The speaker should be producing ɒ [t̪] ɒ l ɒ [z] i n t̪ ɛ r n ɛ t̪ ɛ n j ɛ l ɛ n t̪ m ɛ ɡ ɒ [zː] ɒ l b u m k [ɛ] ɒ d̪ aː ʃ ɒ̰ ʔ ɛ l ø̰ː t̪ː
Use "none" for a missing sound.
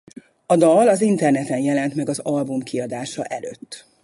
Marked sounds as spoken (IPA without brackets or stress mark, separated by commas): d̪, z, z, i